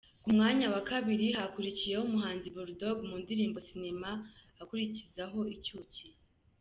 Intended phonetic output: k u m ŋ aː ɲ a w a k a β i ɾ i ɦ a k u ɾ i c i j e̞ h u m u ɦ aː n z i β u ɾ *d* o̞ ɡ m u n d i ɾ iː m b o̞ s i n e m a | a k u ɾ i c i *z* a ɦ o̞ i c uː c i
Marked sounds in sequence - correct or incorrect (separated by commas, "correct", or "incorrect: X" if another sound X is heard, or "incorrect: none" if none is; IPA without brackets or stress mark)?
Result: correct, correct